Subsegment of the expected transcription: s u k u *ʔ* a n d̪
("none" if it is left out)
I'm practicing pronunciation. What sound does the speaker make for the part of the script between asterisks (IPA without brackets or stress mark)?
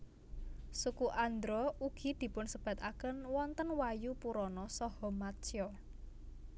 ʔ